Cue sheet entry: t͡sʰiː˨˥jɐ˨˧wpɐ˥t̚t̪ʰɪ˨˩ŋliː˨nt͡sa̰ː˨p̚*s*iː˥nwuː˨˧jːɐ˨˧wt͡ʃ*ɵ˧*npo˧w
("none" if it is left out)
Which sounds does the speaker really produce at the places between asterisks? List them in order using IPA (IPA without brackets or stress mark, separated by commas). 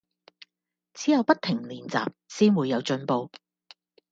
s, ɵ˧